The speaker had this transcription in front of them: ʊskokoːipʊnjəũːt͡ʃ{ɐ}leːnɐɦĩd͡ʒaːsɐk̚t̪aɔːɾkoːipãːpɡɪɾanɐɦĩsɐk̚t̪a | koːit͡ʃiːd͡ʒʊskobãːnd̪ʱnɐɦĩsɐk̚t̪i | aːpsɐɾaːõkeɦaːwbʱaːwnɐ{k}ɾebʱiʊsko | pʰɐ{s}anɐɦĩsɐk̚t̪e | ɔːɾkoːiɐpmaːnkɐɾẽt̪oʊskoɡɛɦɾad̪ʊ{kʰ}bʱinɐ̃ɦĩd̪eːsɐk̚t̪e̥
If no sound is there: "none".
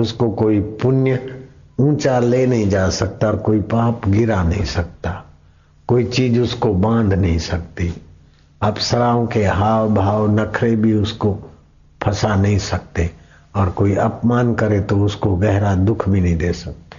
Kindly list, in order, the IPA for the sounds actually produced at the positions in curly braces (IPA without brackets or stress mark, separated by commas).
a, kʰ, s, kʰ